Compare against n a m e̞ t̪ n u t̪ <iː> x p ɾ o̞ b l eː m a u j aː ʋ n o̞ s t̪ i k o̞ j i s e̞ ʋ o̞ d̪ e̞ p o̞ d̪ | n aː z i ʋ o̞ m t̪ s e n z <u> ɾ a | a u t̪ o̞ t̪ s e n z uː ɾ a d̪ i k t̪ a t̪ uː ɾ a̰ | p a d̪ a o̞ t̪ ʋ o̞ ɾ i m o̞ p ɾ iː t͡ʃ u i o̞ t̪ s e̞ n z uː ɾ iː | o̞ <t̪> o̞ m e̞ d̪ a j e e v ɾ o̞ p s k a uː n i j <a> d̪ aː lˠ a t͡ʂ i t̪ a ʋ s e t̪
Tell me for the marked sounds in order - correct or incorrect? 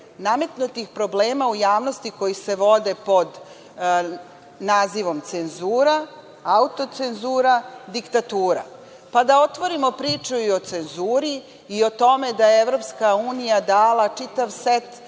incorrect: i, incorrect: uː, correct, correct

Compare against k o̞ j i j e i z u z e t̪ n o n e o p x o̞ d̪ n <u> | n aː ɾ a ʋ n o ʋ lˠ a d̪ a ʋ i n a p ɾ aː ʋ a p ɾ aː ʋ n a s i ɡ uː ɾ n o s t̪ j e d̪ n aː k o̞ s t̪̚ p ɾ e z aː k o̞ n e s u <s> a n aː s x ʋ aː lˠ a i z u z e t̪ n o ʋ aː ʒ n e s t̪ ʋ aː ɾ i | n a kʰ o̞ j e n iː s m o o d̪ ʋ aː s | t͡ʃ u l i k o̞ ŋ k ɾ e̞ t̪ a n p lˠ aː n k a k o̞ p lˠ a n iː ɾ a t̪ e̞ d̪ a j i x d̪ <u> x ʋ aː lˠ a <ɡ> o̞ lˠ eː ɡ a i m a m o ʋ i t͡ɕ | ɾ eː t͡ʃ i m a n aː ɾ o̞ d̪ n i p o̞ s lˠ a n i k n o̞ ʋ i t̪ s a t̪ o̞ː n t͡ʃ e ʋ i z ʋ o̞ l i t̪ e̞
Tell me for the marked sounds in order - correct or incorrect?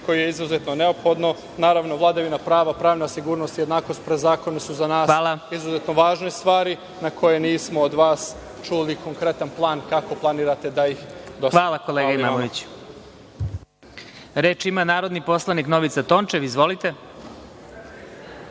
incorrect: o, incorrect: z, incorrect: o, incorrect: k

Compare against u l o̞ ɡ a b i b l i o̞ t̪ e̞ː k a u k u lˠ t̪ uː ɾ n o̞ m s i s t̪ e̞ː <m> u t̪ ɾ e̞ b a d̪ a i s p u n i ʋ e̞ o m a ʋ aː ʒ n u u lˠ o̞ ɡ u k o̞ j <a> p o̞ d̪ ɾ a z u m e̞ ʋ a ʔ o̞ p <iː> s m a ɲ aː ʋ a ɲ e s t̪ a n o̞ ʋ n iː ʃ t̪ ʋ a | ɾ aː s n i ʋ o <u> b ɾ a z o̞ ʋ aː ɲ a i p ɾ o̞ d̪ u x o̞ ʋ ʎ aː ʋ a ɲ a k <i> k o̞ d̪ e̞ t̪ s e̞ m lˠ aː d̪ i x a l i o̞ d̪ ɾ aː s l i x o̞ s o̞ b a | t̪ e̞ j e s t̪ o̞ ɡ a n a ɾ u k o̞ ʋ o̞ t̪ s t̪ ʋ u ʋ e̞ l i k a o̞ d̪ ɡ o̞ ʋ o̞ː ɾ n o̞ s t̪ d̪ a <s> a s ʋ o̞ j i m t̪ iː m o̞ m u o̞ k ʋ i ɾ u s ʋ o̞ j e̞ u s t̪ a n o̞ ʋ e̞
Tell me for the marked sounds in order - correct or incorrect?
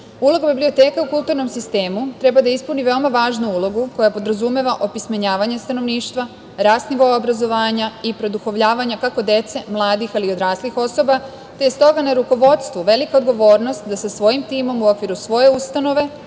correct, correct, incorrect: i, incorrect: o, incorrect: a, correct

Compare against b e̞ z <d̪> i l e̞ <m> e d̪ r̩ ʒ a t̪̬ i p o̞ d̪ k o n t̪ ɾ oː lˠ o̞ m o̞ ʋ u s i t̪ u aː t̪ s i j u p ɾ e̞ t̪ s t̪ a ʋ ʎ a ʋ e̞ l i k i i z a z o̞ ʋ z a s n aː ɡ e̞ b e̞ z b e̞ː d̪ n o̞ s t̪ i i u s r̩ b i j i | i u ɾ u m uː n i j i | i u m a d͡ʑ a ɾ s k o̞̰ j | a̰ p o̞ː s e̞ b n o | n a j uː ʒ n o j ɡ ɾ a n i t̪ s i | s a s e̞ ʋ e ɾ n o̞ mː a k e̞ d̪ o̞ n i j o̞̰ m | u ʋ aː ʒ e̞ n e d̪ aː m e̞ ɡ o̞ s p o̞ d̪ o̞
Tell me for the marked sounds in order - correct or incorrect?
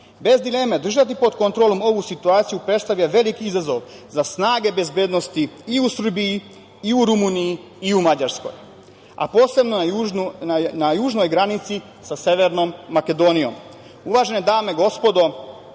correct, correct

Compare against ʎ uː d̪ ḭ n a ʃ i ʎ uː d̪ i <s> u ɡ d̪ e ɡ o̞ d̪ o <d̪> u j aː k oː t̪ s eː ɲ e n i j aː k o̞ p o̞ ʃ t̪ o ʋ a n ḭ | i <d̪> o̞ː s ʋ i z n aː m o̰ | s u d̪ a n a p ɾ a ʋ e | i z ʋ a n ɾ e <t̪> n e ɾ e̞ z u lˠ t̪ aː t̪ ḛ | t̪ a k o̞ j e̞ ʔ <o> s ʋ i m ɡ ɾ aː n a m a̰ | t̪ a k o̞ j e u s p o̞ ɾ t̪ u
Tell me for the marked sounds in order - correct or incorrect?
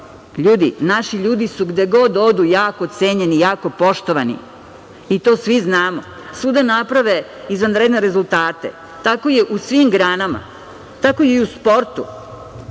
correct, correct, incorrect: t̪, incorrect: d̪, incorrect: u

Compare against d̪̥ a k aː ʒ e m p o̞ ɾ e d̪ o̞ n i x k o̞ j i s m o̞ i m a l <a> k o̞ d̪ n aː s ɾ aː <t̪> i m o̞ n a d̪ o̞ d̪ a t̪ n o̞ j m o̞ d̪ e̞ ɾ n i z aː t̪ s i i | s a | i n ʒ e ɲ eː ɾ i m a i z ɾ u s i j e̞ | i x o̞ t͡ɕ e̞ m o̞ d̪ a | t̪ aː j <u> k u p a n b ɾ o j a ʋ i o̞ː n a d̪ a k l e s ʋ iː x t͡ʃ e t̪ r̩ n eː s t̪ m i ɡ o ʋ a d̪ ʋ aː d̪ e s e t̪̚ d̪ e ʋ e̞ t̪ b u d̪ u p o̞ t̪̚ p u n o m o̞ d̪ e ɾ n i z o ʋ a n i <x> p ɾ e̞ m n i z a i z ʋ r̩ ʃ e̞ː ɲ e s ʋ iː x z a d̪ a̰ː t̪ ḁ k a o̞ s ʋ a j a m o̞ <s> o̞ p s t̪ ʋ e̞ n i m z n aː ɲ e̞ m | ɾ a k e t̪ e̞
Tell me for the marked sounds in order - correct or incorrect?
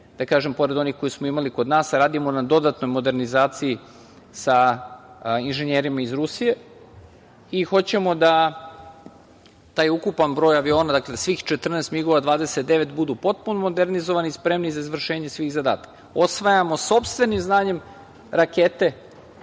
incorrect: i, incorrect: d̪, correct, incorrect: s, correct

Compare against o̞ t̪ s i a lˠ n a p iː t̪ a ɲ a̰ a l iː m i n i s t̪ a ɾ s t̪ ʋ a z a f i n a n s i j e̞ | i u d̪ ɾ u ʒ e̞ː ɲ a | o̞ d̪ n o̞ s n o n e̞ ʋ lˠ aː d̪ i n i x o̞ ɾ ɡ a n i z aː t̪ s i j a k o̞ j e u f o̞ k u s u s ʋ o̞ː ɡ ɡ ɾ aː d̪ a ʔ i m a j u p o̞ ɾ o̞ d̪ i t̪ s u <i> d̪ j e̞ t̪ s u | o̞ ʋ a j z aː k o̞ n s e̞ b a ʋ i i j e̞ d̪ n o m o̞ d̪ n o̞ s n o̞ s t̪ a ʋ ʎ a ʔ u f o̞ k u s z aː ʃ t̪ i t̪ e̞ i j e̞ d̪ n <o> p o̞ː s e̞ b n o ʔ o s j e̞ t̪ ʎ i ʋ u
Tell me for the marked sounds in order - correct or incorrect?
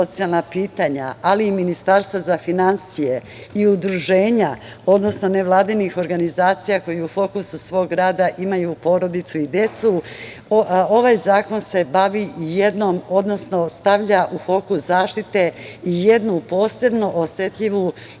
correct, incorrect: u

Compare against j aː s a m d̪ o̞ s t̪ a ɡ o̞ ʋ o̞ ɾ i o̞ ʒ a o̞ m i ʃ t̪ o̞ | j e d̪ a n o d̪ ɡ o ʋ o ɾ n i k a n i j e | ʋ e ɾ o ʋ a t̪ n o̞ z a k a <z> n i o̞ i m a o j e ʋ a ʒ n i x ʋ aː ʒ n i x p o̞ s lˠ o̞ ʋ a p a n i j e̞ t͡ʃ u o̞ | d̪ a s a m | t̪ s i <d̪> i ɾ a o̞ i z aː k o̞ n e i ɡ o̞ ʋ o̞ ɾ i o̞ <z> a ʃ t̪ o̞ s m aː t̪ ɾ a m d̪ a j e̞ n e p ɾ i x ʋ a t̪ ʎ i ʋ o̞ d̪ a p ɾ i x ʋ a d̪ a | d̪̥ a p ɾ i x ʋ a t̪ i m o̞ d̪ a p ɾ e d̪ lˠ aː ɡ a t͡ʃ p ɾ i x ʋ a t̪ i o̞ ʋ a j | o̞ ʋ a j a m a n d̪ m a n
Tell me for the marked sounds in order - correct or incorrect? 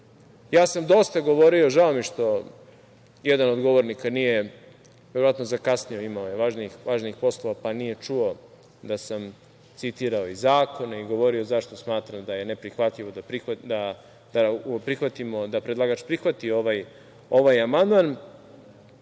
incorrect: s, incorrect: t̪, correct

